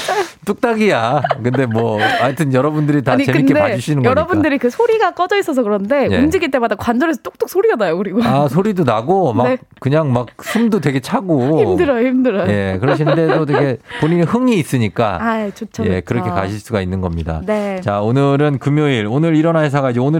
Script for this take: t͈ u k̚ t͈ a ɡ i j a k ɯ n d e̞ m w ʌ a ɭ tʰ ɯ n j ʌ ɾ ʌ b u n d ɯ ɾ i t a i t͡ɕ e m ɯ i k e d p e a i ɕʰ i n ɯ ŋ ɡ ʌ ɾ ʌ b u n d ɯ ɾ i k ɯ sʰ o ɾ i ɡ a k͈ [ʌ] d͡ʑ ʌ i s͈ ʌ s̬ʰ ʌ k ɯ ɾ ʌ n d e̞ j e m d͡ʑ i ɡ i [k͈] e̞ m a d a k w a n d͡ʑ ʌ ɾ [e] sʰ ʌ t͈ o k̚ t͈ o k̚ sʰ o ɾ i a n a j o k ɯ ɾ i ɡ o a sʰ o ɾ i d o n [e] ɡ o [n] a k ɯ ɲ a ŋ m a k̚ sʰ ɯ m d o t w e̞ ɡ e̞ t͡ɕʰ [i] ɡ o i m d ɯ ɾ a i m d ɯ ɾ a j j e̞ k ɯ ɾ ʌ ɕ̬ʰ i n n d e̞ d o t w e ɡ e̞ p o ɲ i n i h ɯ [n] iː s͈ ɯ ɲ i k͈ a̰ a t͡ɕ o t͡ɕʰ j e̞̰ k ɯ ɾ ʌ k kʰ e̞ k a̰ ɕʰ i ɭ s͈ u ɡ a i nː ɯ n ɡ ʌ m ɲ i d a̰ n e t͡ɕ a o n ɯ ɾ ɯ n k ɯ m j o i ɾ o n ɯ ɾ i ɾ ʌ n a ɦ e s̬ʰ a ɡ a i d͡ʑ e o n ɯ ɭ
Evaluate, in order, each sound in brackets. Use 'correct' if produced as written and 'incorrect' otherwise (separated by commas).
correct, incorrect, correct, incorrect, incorrect, incorrect, incorrect